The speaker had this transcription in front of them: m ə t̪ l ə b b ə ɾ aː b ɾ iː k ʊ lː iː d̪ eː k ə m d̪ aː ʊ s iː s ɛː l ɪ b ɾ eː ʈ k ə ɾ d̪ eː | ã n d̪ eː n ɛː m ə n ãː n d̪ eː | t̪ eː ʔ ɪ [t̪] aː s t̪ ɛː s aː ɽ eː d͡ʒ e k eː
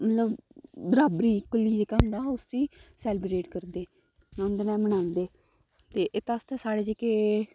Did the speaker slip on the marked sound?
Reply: no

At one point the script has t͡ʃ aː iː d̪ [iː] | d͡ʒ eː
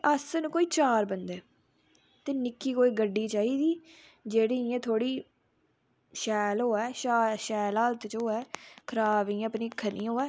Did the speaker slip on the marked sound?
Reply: no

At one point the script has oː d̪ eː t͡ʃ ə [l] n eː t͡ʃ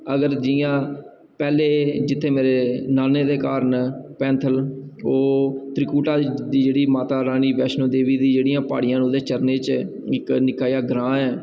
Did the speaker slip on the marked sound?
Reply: yes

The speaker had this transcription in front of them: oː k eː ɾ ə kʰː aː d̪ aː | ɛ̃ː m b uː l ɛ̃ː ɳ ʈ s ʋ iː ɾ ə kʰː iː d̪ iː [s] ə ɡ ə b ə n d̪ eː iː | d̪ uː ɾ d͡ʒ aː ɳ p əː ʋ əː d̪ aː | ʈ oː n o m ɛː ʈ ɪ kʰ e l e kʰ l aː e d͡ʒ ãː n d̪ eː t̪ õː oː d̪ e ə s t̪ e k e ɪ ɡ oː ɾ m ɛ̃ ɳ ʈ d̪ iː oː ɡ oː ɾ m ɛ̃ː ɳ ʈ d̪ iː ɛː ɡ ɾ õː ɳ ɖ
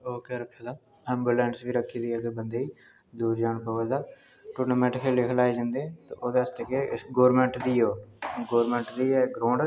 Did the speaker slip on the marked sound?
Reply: yes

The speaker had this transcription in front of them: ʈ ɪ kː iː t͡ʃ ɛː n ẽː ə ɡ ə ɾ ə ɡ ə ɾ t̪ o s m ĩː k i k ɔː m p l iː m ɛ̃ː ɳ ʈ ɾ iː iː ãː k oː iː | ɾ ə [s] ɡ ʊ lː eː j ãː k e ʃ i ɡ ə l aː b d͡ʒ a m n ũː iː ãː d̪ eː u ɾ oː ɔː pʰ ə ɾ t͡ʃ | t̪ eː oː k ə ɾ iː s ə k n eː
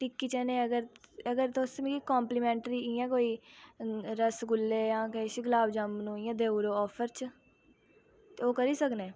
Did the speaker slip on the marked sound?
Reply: no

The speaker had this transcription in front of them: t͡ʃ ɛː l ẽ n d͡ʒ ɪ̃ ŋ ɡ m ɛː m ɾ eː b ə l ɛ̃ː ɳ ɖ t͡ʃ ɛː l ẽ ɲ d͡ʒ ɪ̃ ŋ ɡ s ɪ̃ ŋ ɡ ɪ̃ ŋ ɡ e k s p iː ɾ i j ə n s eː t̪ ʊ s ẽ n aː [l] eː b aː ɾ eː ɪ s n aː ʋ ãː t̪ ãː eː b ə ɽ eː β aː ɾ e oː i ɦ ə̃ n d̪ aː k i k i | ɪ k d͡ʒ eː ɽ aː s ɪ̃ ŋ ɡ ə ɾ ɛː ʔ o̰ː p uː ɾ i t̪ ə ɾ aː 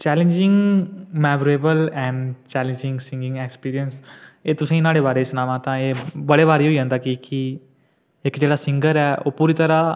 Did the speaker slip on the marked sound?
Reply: yes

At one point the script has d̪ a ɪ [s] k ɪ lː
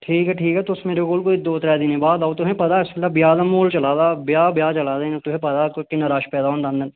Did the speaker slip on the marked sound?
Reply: no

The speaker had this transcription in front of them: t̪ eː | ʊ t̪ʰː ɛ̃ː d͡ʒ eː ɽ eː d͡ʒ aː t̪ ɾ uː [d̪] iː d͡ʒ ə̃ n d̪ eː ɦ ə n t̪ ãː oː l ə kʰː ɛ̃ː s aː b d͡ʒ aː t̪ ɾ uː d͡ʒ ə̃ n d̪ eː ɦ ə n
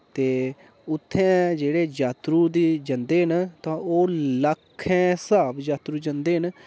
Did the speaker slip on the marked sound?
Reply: no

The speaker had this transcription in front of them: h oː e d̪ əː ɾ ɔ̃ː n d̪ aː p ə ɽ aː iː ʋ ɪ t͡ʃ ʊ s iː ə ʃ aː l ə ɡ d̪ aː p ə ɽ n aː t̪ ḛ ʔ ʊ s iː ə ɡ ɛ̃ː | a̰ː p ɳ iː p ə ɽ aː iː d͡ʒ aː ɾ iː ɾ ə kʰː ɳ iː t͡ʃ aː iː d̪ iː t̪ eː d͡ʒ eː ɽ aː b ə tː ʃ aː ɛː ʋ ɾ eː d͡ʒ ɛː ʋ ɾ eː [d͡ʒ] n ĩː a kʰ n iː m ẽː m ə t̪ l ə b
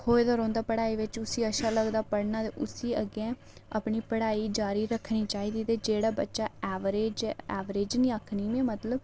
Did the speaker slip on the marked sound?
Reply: no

